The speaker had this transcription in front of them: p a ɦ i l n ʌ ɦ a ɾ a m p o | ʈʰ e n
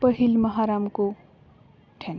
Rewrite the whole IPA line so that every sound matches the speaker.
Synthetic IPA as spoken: p ʌ ɦ i l m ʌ ɦ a ɾ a m k o | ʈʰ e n